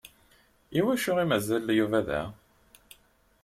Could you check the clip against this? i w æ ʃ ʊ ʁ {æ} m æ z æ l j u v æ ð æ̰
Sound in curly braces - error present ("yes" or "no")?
yes